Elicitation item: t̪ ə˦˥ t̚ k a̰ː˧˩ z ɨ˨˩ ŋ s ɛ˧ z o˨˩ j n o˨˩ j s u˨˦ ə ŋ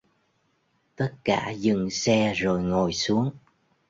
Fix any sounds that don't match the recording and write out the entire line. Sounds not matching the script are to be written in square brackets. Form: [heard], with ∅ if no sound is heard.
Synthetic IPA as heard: t̪ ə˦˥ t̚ k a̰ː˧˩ z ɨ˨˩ ŋ s ɛ˧ z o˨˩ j [ŋ] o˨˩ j s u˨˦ ə ŋ